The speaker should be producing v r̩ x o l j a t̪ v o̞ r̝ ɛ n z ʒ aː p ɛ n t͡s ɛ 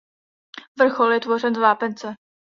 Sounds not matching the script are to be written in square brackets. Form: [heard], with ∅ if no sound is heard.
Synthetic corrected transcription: v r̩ x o l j [ɛ] t̪ v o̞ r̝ ɛ n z [v] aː p ɛ n t͡s ɛ